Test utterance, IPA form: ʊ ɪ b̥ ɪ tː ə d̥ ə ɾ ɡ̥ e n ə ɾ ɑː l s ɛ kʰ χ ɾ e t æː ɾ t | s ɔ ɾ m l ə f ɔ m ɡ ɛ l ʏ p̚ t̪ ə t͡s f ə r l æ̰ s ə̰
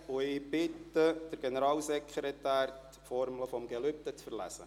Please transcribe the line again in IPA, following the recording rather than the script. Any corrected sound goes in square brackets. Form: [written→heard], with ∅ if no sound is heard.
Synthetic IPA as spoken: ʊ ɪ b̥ ɪ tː ə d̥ ə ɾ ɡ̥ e n ə ɾ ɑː l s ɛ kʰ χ ɾ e t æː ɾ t | [s→f] ɔ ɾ m l ə f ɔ m ɡ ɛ l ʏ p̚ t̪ ə t͡s f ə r l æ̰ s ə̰